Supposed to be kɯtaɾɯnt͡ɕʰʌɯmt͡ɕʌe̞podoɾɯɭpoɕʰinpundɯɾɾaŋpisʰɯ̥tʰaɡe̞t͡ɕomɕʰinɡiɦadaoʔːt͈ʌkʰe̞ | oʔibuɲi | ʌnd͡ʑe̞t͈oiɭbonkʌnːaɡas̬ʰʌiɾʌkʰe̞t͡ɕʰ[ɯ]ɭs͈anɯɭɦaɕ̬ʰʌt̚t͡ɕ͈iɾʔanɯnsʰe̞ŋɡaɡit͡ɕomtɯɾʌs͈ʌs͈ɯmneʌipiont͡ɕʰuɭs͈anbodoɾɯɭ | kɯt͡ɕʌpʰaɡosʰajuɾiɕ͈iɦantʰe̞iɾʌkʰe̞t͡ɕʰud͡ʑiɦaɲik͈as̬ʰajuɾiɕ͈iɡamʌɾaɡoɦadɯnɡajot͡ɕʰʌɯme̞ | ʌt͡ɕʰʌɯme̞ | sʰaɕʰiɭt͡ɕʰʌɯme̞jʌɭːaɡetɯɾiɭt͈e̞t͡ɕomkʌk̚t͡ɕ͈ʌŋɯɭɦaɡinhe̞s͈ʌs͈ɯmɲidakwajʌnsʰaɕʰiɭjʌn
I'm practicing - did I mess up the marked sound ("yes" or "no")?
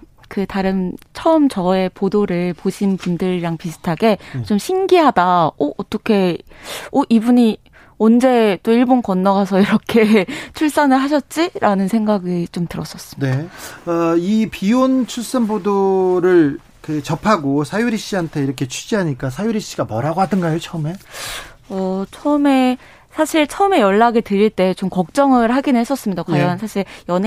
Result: yes